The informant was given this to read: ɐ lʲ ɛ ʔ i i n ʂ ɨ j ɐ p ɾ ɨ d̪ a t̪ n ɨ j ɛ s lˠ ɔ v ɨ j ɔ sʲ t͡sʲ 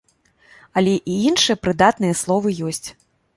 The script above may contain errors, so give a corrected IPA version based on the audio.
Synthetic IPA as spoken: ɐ lʲ ɛ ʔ i i n ʂ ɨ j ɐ p ɾ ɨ d̪ a t̪ n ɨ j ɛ s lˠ ɔ v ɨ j ɔ sʲ t͡sʲ